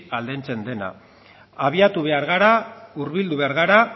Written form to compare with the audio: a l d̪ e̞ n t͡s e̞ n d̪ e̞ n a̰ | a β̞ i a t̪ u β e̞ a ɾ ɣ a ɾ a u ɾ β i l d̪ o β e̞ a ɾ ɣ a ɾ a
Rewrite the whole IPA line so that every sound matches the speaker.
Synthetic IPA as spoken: a l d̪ e̞ n t͡s e̞ n d̪ e̞ n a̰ | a β̞ i a t̪ u β e̞ a ɾ ɣ a ɾ a u ɾ β i l d̪ u β e̞ a ɾ ɣ a ɾ a